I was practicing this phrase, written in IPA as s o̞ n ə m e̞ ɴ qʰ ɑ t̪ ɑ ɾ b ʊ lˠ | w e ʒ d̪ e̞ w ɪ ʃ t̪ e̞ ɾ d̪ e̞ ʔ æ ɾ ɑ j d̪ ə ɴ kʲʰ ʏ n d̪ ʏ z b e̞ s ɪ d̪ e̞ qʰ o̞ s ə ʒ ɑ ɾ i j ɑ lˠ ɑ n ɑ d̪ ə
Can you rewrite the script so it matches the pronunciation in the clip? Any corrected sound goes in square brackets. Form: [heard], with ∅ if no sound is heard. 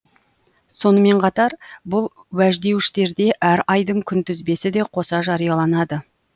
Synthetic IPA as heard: s o̞ n ə m e̞ ɴ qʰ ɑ t̪ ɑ ɾ b ʊ lˠ | w [æ] ʒ d̪ e̞ w ɪ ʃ t̪ e̞ ɾ d̪ e̞ ʔ æ ɾ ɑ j d̪ ə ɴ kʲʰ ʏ n [t̪] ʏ z b e̞ s ɪ d̪ e̞ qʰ o̞ s [ɑ] ʒ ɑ ɾ i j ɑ lˠ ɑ n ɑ d̪ ə